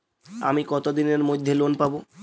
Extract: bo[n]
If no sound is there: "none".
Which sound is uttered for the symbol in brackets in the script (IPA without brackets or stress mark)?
none